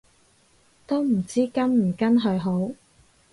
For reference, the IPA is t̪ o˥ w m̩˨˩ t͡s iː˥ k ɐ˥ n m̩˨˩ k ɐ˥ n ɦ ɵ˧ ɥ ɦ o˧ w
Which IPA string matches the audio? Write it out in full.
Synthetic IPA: t̪ o˥ w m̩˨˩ t͡s iː˥ k ɐ˥ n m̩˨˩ k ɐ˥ n ɦ ɵ˧ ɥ ɦ o˨˥ w